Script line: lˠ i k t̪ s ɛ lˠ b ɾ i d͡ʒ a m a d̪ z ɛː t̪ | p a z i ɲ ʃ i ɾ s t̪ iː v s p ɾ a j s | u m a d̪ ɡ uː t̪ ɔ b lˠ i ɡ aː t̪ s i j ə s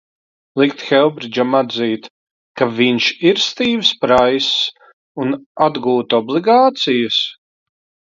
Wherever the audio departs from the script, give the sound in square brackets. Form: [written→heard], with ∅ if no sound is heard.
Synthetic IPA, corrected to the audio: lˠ i k t̪ [s→x] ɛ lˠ b ɾ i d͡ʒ a m a d̪ z [ɛː→iː] t̪ | [p→k] a [z→v] i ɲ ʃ i ɾ s t̪ iː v s p ɾ a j s | u [m→n] a d̪ ɡ uː t̪ ɔ b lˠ i ɡ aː t̪ s i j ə s